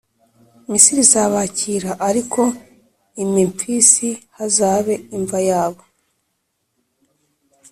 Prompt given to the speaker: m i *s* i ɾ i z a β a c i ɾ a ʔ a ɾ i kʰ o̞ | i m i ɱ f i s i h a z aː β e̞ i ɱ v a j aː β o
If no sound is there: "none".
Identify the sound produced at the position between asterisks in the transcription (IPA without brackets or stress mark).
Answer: s